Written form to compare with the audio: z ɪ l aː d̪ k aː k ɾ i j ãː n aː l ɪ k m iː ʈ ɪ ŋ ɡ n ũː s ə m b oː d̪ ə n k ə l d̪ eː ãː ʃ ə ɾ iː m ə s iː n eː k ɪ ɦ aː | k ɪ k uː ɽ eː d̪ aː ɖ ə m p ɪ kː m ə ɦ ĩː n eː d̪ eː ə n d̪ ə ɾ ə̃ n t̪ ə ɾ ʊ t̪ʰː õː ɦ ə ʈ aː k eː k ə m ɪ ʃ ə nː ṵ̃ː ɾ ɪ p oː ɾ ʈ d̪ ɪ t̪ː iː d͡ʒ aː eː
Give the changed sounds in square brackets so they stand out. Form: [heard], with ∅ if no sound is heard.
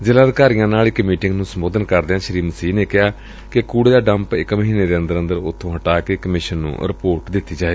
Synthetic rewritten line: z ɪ l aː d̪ k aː [∅] ɾ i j ãː n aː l ɪ k m iː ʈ ɪ ŋ ɡ n ũː s ə m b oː d̪ ə n k ə [ɾ] d̪ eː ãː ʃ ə ɾ iː m ə s iː n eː k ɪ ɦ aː | k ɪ k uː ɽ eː d̪ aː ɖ ə m p ɪ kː m ə ɦ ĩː n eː d̪ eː ə n d̪ ə ɾ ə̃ n [d̪] ə ɾ ʊ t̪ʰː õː ɦ ə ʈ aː k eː k ə m ɪ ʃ ə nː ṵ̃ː ɾ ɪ p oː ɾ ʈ d̪ ɪ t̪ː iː d͡ʒ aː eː